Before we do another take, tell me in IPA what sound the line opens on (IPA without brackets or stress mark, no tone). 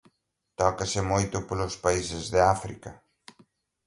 t̪